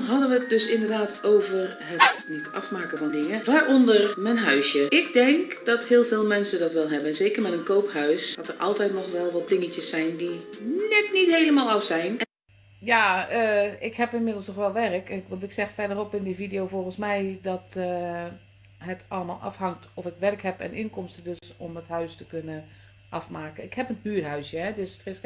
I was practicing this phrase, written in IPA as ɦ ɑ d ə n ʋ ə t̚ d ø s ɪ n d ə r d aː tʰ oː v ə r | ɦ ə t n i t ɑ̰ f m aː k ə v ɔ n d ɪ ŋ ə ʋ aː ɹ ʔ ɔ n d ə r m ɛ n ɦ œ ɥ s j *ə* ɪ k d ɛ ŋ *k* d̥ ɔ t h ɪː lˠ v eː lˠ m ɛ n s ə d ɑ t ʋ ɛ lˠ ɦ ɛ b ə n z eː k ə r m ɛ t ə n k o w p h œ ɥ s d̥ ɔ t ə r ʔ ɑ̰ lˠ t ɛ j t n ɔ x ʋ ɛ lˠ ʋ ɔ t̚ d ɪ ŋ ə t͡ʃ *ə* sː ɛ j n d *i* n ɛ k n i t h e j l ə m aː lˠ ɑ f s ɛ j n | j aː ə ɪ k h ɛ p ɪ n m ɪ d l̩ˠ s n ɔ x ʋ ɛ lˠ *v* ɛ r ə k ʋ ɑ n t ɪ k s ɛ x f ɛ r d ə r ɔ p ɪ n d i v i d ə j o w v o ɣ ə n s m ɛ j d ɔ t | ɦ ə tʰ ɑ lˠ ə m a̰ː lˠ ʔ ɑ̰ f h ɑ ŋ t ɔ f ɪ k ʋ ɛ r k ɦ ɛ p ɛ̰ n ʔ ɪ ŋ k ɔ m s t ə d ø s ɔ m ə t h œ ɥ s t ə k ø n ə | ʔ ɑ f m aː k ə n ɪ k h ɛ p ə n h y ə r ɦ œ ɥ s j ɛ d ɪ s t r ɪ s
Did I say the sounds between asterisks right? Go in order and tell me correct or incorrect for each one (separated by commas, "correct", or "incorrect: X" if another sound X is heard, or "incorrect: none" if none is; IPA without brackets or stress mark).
correct, correct, correct, correct, incorrect: ʋ